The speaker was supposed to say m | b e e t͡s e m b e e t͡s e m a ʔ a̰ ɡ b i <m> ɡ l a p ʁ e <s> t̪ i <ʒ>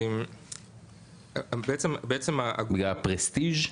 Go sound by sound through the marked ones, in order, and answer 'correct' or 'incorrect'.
incorrect: none, correct, correct

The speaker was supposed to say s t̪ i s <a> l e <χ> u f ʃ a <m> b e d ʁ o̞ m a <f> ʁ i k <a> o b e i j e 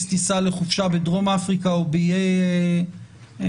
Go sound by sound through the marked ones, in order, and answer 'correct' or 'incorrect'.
correct, correct, incorrect: none, correct, correct

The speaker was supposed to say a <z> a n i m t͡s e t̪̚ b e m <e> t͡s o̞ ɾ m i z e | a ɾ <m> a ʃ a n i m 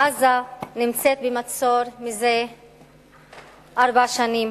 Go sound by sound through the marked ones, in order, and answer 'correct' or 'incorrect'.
correct, incorrect: a, incorrect: b

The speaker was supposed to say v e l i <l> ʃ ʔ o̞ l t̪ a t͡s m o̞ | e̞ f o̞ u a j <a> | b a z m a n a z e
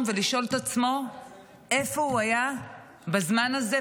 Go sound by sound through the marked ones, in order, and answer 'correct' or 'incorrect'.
incorrect: none, correct

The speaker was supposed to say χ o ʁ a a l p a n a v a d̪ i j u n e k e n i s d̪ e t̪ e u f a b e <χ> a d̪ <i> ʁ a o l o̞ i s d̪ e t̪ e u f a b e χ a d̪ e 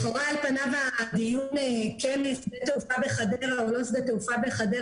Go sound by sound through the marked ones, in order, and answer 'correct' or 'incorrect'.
correct, incorrect: e

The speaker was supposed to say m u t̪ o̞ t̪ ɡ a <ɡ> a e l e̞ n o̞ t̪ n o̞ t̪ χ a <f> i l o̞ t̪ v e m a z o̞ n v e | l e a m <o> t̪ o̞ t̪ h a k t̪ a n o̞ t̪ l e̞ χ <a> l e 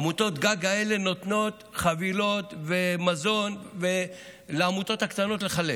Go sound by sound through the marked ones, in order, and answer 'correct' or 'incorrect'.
correct, incorrect: v, incorrect: u, correct

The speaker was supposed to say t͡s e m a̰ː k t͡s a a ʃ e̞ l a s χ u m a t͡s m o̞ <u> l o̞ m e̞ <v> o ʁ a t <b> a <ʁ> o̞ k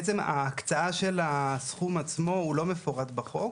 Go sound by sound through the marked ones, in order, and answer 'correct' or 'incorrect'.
correct, incorrect: f, correct, incorrect: χ

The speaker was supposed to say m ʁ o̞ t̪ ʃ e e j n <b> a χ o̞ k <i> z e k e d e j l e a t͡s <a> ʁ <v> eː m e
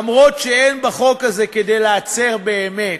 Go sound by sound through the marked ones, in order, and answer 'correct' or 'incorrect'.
correct, incorrect: a, incorrect: e, incorrect: b

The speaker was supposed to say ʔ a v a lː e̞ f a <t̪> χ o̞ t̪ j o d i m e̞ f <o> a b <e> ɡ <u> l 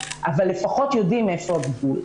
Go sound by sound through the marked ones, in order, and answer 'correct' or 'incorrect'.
incorrect: none, correct, incorrect: i, correct

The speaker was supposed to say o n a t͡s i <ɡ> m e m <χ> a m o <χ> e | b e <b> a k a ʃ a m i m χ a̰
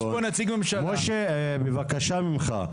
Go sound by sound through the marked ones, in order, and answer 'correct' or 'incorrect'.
correct, incorrect: ʃ, incorrect: ʃ, incorrect: v

